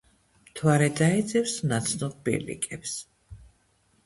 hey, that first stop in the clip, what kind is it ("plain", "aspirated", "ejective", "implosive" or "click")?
aspirated